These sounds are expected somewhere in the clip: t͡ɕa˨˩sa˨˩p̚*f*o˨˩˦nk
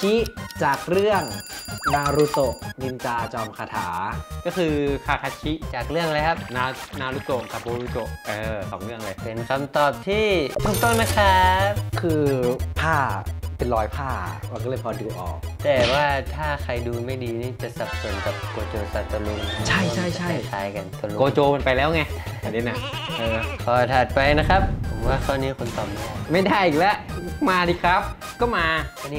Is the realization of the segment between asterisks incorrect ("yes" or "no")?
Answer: yes